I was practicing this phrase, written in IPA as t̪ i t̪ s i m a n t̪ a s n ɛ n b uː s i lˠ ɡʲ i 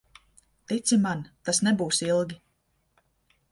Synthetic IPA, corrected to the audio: t̪ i t̪ s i m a n t̪ a s n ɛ b uː s i lˠ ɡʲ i